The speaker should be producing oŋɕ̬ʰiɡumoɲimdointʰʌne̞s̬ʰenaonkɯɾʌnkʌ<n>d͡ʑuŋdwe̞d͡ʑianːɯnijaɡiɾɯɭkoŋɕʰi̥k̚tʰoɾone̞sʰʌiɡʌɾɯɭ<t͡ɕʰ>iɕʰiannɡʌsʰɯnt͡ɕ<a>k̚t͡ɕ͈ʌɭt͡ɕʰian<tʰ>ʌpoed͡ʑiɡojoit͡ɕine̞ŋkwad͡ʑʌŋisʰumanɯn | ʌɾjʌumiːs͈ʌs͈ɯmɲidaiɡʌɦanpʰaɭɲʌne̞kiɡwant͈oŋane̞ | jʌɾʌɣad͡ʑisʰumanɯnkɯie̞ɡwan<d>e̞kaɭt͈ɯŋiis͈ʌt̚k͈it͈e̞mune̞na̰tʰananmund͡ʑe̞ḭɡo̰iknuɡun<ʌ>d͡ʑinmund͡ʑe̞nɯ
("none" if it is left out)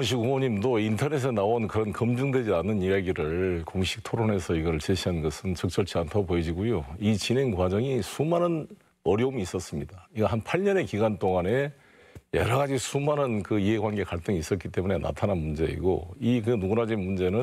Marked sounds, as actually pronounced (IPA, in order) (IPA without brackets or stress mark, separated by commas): m, t͡ɕ, ʌ, tʰ, ɡ, a